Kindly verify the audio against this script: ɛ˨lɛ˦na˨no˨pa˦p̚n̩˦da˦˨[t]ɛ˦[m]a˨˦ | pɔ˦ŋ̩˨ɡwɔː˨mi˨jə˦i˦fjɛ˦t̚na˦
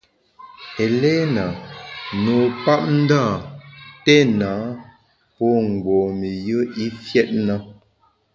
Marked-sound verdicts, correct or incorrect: correct, incorrect

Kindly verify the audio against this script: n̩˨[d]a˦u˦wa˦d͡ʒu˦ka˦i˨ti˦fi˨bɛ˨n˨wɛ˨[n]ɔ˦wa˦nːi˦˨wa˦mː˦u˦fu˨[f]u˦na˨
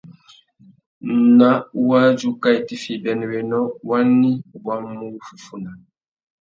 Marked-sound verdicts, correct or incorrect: incorrect, correct, correct

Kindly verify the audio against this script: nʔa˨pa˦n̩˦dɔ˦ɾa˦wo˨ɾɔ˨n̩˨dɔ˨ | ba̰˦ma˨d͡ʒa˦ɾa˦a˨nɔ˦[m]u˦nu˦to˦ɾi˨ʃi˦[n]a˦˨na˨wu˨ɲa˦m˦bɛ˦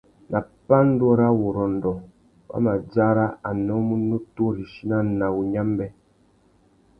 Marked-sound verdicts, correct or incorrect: correct, correct

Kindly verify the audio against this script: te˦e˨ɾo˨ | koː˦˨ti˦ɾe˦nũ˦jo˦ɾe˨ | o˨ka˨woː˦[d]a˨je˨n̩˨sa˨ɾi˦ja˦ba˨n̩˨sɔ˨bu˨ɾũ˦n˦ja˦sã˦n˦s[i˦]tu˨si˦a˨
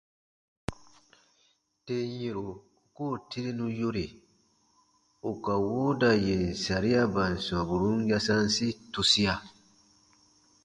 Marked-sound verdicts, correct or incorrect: correct, correct

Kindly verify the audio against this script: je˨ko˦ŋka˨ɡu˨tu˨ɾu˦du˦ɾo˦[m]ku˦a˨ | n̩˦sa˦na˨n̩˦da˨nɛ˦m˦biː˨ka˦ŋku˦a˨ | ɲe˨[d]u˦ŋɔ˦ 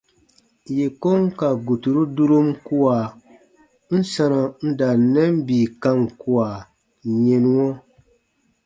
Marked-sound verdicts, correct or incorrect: correct, incorrect

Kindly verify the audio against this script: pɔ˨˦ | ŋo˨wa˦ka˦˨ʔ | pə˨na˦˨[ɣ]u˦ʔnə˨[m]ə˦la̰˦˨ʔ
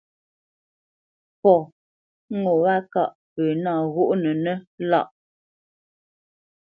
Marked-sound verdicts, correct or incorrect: correct, incorrect

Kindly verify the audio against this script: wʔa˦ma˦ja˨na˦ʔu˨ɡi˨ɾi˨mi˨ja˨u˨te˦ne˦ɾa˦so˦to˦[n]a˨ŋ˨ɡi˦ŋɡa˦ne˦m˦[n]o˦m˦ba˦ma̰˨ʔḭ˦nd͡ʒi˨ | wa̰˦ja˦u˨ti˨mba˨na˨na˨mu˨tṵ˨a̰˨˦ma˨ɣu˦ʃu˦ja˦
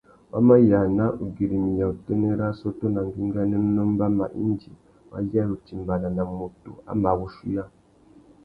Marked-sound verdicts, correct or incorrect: correct, correct

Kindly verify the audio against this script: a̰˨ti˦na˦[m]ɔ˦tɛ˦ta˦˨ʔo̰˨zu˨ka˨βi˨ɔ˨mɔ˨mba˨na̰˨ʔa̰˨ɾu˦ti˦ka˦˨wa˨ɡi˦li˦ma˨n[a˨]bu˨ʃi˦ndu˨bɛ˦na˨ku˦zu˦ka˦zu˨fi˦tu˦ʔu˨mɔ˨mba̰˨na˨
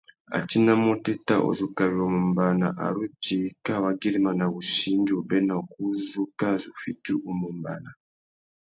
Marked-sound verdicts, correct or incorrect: correct, correct

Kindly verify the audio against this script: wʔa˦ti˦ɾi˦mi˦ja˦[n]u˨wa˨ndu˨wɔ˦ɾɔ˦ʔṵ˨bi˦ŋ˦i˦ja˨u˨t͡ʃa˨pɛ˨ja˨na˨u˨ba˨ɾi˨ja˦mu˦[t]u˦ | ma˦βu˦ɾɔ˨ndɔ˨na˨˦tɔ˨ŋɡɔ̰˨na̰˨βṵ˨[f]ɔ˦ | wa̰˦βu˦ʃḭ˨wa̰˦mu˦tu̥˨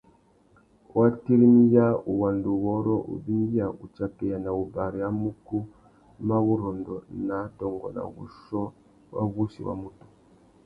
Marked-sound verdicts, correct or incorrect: incorrect, incorrect, incorrect

